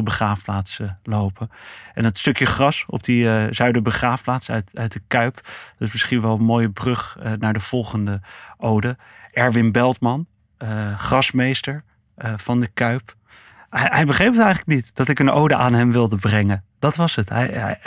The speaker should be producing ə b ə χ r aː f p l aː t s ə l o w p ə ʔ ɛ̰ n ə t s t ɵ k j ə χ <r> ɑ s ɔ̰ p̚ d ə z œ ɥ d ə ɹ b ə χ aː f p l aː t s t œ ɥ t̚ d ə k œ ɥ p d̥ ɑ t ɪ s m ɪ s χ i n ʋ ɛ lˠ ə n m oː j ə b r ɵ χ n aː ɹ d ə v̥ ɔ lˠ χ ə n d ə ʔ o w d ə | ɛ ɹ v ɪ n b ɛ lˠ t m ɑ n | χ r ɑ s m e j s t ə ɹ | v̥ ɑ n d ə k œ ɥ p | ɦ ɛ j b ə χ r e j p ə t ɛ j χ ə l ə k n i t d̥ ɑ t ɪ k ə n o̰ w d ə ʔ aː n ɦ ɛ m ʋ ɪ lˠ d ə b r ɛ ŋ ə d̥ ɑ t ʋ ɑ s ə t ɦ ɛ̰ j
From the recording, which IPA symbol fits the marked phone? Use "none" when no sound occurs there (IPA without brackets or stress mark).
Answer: r